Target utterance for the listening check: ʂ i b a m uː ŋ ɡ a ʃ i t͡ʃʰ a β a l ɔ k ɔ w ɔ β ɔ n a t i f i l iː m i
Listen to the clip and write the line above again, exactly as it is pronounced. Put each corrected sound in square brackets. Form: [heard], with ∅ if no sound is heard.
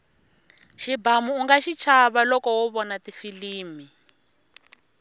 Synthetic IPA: [ʃ] i b a m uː ŋ ɡ a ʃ i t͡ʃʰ a β a l ɔ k ɔ w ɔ β ɔ n a t i f i l iː m i